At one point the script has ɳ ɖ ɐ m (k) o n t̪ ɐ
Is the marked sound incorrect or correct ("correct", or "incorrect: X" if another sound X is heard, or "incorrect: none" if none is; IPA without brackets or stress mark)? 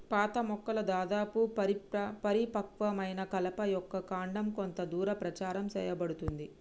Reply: correct